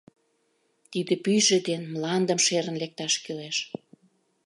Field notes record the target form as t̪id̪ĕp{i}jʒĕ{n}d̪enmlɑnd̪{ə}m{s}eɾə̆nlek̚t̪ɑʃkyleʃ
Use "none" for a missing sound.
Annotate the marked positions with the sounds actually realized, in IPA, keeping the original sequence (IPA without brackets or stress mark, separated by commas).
y, none, ə, ʃ